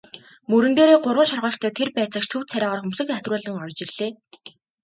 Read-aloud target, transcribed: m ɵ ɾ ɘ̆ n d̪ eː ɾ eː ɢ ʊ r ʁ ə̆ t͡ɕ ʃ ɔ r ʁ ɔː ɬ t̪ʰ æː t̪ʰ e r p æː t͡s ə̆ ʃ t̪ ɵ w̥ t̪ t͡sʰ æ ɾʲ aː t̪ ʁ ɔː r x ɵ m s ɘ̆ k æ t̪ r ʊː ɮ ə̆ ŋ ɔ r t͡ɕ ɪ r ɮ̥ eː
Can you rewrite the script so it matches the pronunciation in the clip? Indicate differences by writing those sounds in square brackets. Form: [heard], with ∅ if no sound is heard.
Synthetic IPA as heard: m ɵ ɾ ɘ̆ n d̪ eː ɾ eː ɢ ʊ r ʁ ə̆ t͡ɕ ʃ ɔ r ʁ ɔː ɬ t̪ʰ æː t̪ʰ e r p æː t͡s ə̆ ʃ [t̪ʰ] ɵ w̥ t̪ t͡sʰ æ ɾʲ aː [∅] ʁ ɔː r x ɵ m s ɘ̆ k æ t̪ r ʊː ɮ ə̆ ŋ ɔ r t͡ɕ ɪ r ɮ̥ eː

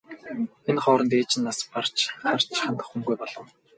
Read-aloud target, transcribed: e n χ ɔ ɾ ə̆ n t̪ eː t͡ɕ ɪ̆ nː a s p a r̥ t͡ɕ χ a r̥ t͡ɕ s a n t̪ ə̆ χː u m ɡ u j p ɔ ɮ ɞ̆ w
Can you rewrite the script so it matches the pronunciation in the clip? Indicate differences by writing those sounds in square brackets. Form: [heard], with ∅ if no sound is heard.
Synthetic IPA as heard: e n χ [ɔː] ɾ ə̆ n t̪ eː t͡ɕ ɪ̆ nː a s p a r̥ t͡ɕ χ a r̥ t͡ɕ [χ] a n t̪ ə̆ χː u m ɡ u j p ɔ ɮ ɞ̆ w

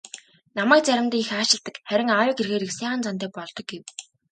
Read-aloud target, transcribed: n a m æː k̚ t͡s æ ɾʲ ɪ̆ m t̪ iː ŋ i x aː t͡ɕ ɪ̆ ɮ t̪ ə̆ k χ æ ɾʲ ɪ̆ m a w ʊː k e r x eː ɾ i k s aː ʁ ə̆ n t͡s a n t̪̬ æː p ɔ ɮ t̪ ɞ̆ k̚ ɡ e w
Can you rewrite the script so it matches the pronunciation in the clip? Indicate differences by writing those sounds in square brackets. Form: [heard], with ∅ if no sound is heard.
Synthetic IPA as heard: n a m æː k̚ t͡s æ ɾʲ ɪ̆ m t̪ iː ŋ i x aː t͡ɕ ɪ̆ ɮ t̪ ə̆ k χ æ ɾʲ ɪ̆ [ŋ] a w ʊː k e r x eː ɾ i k s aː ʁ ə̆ n t͡s a n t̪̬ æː p ɔ ɮ t̪ ɞ̆ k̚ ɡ e w

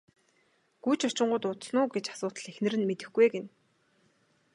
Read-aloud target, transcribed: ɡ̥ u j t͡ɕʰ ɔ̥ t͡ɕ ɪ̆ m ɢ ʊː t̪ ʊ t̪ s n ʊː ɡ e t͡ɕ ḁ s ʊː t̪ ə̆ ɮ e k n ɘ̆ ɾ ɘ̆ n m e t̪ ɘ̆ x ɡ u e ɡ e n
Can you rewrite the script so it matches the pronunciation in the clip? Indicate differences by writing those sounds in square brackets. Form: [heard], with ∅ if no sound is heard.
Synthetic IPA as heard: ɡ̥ u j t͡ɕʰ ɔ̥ t͡ɕ ɪ̆ [ɴ] ɢ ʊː t̪ ʊ t̪ s n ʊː ɡ e t͡ɕ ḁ s ʊː t̪ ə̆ ɮ e [x] n ɘ̆ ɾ ɘ̆ n m e t̪ ɘ̆ x ɡ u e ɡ e n

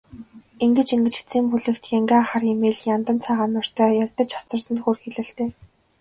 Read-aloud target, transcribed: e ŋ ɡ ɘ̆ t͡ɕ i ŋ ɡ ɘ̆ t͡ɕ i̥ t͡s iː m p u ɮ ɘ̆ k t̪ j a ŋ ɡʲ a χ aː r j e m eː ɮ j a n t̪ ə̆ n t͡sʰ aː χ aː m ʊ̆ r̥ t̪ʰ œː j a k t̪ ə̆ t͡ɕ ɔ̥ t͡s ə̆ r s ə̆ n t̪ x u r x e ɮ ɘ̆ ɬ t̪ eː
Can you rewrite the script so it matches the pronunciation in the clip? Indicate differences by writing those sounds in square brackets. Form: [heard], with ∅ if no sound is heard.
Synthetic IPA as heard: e ŋ ɡ ɘ̆ t͡ɕ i ŋ ɡ ɘ̆ t͡ɕ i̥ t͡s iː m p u ɮ ɘ̆ k t̪ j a ŋ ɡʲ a χ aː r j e m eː ɮ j a n t̪ ə̆ n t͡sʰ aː [ʁ] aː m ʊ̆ r̥ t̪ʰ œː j a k t̪ ə̆ t͡ɕ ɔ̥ t͡s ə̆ r s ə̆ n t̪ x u r x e ɮ ɘ̆ ɬ t̪ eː

